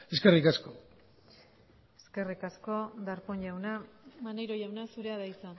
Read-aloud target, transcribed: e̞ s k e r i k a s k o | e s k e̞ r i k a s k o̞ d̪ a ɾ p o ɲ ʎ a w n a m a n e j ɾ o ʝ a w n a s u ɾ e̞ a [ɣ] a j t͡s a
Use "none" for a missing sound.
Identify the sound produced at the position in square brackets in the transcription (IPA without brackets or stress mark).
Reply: ð